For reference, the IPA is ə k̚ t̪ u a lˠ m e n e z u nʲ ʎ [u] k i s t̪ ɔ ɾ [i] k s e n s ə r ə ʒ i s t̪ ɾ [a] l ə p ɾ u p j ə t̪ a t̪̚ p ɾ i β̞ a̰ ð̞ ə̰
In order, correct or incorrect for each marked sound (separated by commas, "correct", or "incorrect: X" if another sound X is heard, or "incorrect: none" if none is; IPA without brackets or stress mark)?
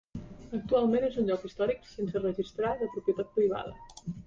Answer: incorrect: ɔ, correct, correct